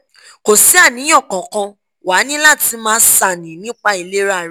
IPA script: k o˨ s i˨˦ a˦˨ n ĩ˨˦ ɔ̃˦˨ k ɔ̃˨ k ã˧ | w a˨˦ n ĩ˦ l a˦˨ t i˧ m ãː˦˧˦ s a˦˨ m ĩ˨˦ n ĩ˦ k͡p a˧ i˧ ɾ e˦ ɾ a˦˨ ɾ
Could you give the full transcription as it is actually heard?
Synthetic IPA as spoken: k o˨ s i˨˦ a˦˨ n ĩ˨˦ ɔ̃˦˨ k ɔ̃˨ k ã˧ | w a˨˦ n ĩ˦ l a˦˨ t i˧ m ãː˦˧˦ s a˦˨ n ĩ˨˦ n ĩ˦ k͡p a˧ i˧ l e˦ ɾ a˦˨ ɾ